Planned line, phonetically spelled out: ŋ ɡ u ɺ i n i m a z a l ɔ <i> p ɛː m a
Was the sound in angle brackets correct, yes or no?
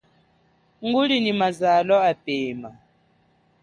no